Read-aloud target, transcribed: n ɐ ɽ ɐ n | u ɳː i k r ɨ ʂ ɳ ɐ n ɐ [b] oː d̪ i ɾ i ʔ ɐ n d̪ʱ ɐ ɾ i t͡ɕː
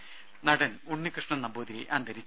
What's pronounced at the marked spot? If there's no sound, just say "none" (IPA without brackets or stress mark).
b